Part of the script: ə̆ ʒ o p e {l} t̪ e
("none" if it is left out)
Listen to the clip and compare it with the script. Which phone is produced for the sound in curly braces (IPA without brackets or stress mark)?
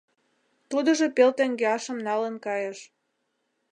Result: l